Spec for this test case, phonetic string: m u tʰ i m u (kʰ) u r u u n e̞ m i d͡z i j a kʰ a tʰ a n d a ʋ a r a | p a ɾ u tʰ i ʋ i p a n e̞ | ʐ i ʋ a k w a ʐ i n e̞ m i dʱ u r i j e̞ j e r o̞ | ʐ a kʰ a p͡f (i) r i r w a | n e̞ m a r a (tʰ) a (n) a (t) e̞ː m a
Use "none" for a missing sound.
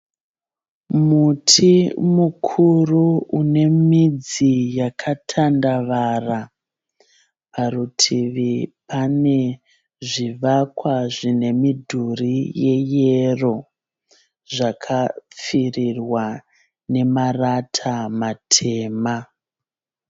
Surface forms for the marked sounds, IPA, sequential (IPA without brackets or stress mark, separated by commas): kʰ, i, tʰ, m, tʰ